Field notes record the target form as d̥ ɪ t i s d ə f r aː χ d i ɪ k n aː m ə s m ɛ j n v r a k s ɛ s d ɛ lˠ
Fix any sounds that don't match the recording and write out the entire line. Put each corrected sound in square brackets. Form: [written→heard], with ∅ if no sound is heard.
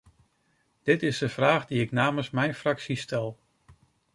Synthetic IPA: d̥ ɪ t [i→ɪ] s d ə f r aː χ d i ɪ k n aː m ə s m ɛ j n [v→f] r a k s [ɛ→i] s [d→t] ɛ lˠ